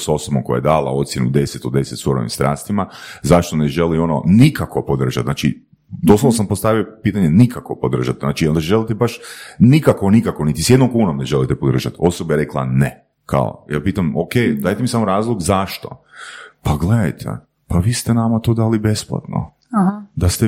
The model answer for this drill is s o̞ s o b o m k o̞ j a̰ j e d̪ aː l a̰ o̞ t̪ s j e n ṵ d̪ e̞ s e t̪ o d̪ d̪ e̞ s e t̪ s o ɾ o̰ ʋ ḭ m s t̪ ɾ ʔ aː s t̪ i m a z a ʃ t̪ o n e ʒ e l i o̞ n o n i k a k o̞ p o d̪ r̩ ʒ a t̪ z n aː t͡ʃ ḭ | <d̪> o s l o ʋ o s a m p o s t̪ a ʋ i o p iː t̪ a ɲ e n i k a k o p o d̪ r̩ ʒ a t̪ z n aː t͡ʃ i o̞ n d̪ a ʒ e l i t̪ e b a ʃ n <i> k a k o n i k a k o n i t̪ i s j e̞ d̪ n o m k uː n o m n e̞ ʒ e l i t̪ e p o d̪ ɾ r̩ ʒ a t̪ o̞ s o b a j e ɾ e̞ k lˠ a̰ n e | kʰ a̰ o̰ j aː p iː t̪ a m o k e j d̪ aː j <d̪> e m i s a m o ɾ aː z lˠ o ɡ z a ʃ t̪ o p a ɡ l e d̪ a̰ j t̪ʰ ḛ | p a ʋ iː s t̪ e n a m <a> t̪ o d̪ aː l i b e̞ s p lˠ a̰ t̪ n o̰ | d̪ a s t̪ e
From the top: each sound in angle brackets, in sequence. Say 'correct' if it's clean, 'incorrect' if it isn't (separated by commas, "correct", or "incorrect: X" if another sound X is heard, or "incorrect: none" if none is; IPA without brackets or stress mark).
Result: correct, correct, incorrect: t̪, correct